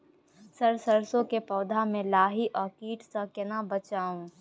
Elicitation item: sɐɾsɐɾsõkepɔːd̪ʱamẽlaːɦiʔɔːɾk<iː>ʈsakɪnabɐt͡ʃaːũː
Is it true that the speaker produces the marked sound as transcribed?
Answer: yes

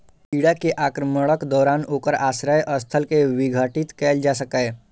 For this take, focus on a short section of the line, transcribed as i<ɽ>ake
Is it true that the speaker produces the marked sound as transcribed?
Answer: yes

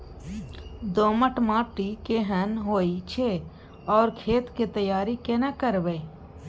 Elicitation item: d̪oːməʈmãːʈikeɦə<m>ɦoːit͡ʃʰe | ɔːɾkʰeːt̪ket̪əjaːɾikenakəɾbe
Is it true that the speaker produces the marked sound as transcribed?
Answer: no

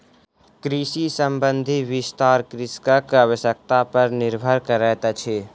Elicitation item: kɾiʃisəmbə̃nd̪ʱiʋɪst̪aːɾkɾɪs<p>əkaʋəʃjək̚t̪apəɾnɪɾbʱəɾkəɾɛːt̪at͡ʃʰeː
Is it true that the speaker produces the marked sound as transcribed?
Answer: no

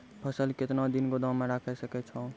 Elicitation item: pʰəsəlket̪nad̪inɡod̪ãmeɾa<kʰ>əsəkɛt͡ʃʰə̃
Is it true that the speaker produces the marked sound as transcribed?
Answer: yes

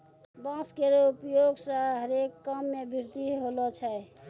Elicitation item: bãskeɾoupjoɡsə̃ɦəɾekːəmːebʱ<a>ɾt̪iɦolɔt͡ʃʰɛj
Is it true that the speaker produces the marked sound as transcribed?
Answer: no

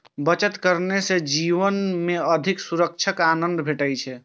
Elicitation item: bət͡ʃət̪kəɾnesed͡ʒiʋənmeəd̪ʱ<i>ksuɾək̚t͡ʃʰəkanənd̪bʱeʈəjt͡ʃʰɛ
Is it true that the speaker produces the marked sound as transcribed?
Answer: yes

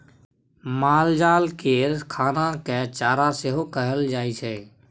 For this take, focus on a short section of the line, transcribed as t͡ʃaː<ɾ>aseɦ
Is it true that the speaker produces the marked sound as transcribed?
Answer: yes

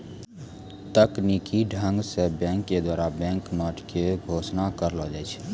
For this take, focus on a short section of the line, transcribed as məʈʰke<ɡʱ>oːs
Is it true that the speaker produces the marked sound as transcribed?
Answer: yes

